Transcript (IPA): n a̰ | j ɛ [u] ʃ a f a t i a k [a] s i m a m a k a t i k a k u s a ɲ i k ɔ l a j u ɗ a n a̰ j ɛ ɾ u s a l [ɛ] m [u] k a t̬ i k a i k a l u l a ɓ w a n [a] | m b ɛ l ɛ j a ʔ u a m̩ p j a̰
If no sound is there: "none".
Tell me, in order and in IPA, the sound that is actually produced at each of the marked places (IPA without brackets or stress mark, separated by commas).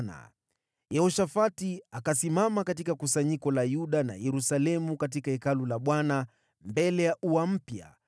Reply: ɔ, a, ɛ, u, a